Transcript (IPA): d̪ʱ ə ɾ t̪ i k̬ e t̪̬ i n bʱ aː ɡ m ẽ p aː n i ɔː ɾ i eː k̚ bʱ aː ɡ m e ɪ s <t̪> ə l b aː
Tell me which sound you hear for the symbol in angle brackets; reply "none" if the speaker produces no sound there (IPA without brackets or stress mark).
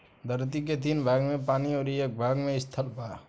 t̪ʰ